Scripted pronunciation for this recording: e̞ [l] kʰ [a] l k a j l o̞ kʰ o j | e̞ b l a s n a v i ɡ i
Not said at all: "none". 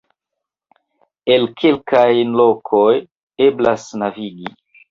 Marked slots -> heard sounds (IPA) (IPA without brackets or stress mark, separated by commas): l, e